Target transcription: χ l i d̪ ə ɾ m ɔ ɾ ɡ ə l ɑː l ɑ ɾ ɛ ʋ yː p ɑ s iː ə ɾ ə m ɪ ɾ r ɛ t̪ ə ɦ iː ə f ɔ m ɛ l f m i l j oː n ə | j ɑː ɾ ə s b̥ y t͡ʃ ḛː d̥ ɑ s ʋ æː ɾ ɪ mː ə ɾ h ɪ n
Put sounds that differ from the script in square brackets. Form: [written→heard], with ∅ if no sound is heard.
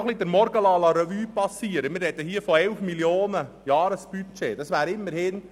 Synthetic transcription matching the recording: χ l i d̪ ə ɾ m ɔ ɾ ɡ ə l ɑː l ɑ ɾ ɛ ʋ yː p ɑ s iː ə ɾ ə m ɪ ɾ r ɛ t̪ ə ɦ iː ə f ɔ [m→∅] ɛ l f m i l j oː n ə | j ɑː ɾ ə s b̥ y t͡ʃ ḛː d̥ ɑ s ʋ æː ɾ ɪ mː ə ɾ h ɪ n